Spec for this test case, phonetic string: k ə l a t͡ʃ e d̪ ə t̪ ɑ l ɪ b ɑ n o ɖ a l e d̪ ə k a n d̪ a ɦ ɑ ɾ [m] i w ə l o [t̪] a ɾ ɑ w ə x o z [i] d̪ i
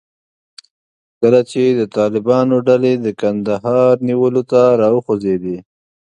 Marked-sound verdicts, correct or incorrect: incorrect: n, correct, incorrect: e

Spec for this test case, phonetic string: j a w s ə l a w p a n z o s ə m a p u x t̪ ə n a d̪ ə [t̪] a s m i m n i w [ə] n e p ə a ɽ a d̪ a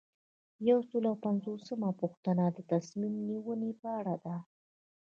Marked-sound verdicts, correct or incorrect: correct, correct

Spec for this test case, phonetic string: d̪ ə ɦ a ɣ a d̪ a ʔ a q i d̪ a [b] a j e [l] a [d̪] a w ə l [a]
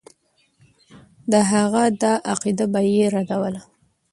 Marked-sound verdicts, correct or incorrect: correct, incorrect: ɾ, correct, correct

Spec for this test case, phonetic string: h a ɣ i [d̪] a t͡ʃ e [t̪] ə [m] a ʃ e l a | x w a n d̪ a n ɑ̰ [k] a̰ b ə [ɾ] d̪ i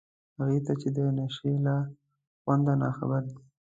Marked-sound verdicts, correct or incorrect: incorrect: t̪, incorrect: d̪, incorrect: n, incorrect: x, correct

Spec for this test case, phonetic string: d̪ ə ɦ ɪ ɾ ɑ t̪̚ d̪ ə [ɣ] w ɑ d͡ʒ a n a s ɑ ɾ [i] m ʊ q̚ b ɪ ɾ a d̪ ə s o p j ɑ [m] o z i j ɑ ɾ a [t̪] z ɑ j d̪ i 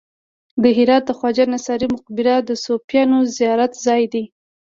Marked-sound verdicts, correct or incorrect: incorrect: x, correct, incorrect: n, correct

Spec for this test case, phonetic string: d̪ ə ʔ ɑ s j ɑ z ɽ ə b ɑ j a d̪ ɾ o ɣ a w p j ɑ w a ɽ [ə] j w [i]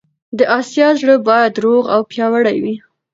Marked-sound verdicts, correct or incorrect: incorrect: a, correct

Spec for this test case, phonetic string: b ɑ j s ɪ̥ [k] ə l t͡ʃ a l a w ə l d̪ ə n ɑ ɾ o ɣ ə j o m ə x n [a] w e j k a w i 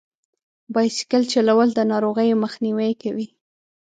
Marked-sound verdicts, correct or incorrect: correct, incorrect: i

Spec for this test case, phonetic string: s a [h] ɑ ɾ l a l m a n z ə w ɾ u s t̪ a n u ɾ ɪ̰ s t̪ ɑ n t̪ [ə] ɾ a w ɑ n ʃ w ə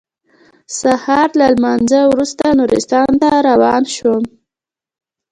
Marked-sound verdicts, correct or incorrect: correct, incorrect: a

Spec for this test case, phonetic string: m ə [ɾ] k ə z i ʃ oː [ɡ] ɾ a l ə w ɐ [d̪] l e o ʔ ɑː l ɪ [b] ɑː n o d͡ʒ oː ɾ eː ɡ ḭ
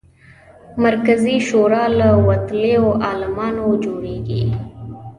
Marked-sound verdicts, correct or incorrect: correct, incorrect: none, incorrect: t̪, incorrect: m

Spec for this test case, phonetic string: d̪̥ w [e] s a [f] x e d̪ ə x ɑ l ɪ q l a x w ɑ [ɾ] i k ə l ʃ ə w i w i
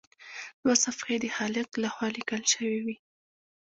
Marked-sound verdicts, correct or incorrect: incorrect: a, correct, incorrect: l

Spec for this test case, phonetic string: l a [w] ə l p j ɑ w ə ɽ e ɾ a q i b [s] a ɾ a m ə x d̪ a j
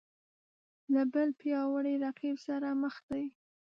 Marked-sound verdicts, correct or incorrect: incorrect: b, correct

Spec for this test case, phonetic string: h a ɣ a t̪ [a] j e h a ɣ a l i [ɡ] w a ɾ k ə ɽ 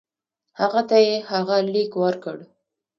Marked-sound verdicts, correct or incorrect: correct, incorrect: k

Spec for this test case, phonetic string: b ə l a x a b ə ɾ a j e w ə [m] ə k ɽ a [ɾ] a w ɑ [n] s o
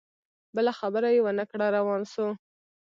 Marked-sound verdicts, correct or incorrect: incorrect: n, correct, correct

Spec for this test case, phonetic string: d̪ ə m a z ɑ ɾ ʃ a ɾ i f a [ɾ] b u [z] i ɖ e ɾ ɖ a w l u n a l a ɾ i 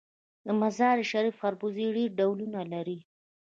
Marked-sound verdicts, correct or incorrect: correct, correct

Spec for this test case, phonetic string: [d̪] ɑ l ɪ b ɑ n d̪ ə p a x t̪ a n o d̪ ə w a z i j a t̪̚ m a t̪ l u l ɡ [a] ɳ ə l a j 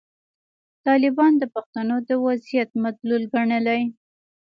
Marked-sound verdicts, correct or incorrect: incorrect: t̪, correct

